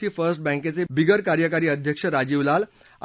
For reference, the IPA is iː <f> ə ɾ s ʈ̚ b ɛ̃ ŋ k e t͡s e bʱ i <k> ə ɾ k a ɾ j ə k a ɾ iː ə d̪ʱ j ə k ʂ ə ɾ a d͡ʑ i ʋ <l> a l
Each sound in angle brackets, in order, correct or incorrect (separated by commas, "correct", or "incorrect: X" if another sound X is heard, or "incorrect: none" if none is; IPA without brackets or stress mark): correct, incorrect: ɡ, correct